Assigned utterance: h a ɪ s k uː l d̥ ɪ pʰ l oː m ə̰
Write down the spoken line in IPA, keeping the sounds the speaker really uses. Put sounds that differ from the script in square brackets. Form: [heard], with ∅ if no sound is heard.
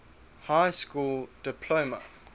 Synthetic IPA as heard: h a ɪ s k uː l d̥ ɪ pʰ l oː m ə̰